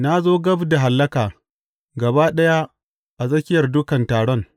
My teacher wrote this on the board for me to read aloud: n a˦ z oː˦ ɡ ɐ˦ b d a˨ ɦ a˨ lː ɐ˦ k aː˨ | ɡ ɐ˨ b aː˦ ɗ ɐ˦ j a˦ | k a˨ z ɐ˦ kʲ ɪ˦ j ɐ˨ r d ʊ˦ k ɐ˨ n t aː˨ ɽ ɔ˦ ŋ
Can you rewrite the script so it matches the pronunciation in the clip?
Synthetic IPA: n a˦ z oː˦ ɡ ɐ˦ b d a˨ ɦ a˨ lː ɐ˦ k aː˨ | ɡ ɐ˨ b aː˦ ɗ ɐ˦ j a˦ | ʔ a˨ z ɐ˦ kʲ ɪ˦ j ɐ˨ r d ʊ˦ k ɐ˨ n t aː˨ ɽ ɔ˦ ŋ